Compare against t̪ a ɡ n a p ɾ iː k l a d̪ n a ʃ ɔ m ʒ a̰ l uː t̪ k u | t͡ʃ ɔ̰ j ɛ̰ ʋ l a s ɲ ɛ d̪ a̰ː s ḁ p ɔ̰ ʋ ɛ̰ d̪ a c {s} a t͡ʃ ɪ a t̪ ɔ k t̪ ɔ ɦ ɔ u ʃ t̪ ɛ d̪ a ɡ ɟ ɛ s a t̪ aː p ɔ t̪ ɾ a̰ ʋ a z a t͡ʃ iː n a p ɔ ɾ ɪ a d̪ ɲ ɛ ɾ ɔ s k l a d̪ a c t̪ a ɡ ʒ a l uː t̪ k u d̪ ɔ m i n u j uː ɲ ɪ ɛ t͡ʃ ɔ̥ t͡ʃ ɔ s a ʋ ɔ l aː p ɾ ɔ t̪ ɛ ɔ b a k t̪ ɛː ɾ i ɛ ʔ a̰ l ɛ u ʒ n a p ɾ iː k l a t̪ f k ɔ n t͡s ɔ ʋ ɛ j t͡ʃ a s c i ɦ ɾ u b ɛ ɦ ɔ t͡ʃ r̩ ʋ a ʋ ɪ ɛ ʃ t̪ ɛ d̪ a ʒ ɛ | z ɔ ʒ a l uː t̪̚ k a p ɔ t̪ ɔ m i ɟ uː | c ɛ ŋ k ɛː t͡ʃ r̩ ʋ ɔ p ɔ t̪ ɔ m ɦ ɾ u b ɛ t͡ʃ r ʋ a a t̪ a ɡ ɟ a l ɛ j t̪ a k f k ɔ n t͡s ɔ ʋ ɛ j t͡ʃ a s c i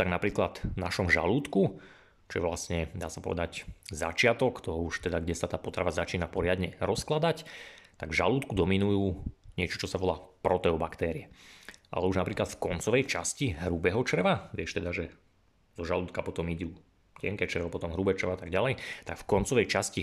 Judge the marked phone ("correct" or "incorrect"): incorrect